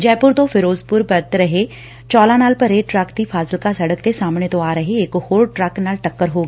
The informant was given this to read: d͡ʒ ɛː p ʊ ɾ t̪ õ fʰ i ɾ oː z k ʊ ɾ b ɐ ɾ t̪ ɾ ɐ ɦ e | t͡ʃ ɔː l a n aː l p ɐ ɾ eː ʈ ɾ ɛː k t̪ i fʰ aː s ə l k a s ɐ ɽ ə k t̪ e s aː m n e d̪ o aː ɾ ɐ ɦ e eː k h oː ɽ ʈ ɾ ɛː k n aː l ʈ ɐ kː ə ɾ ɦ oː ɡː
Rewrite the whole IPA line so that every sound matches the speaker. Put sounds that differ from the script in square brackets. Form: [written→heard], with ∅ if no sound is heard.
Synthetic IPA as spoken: d͡ʒ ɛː p ʊ ɾ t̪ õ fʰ [i→ɪ] ɾ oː z [k→p] ʊ ɾ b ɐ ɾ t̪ ɾ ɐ ɦ e | t͡ʃ ɔː l a n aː l p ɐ ɾ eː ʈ ɾ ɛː k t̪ i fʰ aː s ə l k a s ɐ ɽ ə k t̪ e s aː m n e [d̪→t̪] o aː ɾ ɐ ɦ e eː k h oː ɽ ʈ ɾ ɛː k n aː l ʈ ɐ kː ə ɾ ɦ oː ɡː